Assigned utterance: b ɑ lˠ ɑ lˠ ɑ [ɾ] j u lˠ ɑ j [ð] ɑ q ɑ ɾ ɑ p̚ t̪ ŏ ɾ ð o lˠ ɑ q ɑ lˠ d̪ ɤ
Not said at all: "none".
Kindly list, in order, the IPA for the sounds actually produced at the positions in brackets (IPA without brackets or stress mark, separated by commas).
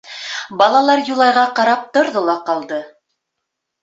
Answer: ɾ, ʁ